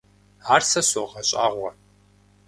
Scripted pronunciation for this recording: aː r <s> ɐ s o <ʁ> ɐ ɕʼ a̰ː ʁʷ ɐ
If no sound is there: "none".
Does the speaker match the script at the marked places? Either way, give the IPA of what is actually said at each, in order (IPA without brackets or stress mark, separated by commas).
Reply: s, ʁ